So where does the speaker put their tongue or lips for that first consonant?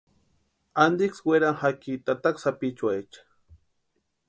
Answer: tongue tip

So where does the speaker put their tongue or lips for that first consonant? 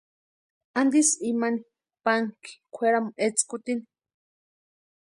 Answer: tongue tip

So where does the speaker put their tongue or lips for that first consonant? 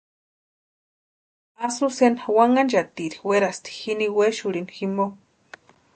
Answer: tongue tip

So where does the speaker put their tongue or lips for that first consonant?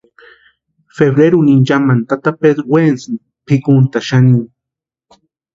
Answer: lips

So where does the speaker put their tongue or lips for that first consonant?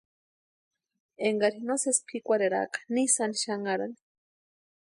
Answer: velum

